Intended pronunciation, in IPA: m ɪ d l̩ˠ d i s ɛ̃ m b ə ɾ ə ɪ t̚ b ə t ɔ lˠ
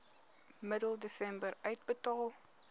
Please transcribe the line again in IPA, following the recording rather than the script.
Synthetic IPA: m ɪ d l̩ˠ d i s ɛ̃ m b ə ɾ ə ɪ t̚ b ə t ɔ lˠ